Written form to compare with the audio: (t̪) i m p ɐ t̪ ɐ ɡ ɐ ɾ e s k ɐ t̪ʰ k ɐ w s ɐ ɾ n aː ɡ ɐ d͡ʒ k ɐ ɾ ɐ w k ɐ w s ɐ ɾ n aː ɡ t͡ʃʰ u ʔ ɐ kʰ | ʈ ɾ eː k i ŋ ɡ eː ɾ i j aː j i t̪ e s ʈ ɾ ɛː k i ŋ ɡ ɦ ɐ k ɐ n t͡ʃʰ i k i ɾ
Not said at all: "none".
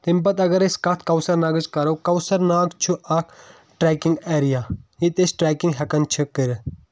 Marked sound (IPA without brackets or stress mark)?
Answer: t̪